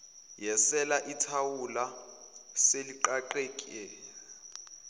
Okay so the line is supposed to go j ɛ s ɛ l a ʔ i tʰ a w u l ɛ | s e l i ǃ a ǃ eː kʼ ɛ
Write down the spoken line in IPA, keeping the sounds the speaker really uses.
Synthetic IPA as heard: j ɛ s ɛ l a ʔ i tʰ a w u l a | s e l i ǃ a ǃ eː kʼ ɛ